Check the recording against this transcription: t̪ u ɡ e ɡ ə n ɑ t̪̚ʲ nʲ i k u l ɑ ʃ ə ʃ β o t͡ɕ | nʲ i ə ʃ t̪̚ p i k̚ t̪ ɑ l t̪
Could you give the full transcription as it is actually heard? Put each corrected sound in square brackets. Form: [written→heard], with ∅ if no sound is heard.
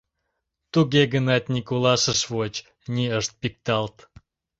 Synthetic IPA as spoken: t̪ u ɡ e ɡ ə n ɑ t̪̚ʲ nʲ i k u l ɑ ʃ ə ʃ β o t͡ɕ | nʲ i ə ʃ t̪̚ p i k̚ t̪ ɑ l t̪